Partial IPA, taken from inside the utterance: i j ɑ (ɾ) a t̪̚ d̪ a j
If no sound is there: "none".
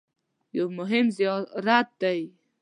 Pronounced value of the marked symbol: ɾ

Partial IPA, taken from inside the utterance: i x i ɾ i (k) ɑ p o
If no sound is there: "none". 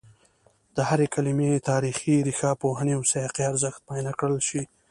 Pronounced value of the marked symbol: x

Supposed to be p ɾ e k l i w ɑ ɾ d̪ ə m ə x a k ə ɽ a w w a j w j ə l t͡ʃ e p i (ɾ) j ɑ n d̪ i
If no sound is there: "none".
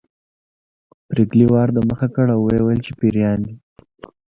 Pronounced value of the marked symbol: ɾ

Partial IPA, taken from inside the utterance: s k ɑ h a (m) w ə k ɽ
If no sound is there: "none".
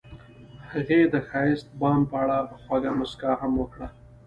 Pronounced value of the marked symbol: m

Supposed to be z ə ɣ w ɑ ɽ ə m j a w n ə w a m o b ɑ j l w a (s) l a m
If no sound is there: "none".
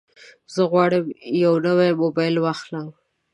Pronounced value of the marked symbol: x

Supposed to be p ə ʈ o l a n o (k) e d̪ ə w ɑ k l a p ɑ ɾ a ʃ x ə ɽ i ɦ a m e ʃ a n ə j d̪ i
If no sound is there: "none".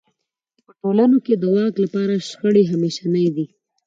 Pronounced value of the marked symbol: k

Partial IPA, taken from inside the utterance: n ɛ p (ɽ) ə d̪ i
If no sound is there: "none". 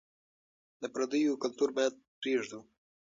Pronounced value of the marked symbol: ɾ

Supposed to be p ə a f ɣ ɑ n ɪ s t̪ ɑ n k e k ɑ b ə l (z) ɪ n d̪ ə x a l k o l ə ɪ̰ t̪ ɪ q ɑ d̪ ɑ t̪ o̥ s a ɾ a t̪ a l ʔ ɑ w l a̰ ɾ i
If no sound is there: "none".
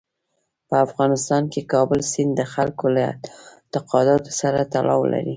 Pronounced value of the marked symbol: s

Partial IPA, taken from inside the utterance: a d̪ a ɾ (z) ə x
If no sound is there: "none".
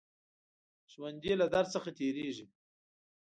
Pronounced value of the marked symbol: s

